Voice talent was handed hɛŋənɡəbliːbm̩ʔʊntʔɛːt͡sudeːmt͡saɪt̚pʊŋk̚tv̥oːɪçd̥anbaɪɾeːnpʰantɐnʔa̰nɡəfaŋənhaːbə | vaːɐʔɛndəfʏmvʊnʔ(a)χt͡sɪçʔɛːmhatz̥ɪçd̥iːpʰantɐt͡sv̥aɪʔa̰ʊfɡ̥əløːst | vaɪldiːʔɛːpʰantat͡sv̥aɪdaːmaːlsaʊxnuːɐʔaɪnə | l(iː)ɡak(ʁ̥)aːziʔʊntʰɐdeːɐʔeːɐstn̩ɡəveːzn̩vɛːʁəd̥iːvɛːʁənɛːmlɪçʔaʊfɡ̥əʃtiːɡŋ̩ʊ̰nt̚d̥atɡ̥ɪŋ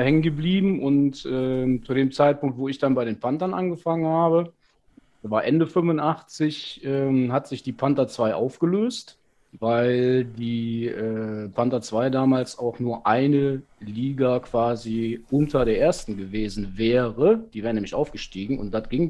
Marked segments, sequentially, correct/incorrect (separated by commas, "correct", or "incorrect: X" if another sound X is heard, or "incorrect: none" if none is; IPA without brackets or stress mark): correct, correct, incorrect: v̥